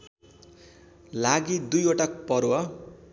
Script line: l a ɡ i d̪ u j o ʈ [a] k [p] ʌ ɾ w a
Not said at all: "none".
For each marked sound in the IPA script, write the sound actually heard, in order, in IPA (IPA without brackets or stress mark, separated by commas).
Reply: a, p